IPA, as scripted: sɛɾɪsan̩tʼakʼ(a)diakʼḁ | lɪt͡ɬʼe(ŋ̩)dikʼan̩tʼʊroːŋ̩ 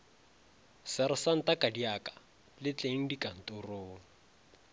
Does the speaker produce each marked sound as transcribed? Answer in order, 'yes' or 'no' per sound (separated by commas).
yes, yes